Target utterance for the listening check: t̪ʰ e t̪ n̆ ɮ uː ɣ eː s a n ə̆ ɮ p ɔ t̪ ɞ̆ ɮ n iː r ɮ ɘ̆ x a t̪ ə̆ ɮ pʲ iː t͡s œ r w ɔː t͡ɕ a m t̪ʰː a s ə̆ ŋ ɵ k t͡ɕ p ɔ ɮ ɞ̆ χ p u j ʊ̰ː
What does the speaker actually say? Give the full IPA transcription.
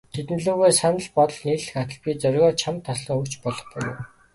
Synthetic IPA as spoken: t̪ʰ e t̪ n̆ ɮ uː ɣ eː s a n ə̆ ɮ p ɔ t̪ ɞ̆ ɮ n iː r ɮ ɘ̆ x a t̪ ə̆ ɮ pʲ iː t͡s œ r ɣ ɔː t͡ɕʰ a m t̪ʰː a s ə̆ ŋ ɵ k t͡ɕ p ɔ ɮ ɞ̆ χ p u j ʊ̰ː